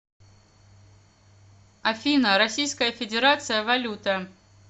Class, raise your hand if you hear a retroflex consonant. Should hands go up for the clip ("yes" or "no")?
no